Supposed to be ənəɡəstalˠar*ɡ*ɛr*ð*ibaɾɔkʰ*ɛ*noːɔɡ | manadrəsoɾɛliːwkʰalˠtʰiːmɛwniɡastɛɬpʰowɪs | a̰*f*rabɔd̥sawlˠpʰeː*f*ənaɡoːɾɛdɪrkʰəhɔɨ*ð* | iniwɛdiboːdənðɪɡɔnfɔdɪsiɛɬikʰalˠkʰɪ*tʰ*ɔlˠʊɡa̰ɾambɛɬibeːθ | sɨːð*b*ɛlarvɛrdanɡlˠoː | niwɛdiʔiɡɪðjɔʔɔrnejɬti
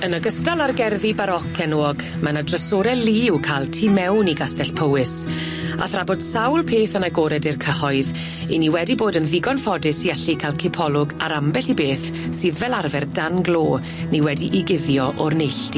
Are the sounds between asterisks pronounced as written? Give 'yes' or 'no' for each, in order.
yes, yes, yes, no, no, yes, no, no

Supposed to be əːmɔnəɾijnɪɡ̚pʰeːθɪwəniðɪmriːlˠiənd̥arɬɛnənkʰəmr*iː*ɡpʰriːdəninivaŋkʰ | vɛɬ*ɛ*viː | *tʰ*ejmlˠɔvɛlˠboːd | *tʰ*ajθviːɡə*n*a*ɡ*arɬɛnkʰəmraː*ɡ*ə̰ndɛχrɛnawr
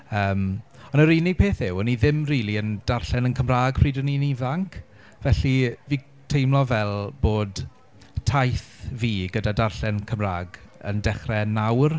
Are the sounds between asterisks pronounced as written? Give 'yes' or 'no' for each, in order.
no, no, yes, yes, no, no, yes

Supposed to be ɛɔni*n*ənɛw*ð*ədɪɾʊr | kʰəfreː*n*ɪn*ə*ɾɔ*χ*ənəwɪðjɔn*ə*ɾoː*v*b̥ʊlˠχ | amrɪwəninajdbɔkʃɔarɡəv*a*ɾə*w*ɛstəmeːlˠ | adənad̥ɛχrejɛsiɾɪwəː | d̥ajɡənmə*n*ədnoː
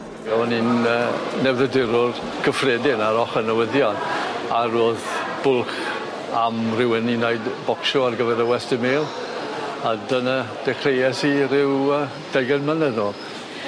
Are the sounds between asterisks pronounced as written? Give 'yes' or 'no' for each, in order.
yes, yes, no, no, yes, no, no, no, yes, yes

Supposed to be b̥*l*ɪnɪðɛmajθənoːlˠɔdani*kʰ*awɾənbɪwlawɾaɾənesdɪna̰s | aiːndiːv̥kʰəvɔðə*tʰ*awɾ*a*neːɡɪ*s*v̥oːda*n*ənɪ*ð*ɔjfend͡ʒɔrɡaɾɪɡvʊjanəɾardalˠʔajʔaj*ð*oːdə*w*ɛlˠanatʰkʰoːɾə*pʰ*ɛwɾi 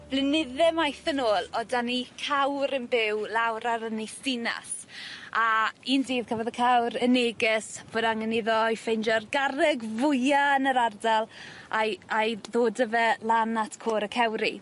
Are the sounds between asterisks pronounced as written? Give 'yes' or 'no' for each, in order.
yes, yes, no, no, yes, no, yes, yes, no, no

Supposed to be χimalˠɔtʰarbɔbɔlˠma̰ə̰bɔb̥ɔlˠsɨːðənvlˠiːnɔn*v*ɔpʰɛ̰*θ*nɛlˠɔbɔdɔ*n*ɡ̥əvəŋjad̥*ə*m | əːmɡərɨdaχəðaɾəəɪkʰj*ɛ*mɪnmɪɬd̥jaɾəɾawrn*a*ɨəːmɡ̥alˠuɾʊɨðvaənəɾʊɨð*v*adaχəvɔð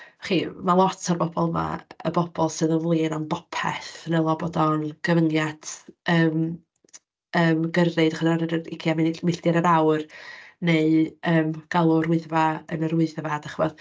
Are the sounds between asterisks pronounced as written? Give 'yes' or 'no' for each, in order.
no, yes, yes, no, no, no, yes

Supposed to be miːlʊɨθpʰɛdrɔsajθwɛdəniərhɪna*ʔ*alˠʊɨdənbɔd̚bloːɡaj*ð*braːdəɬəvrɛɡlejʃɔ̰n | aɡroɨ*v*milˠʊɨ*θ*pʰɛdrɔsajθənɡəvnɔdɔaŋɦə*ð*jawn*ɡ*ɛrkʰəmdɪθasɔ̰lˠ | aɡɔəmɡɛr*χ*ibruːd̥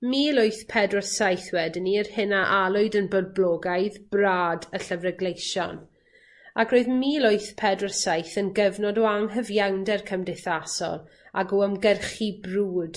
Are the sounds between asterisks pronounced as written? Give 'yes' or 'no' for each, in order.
yes, yes, no, yes, no, no, yes

